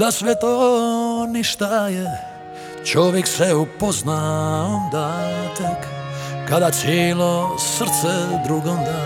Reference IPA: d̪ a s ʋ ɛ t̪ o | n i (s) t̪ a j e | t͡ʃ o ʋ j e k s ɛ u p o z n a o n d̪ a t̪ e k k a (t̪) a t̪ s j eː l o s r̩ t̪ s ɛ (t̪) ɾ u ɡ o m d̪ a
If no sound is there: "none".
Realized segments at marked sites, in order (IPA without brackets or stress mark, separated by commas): ʃ, d̪, d̪